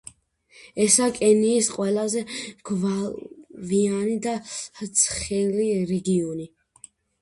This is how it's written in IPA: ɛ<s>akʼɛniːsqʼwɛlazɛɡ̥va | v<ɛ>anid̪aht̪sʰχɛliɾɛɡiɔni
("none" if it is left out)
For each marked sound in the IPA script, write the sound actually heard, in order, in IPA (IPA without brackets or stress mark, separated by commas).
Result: s, i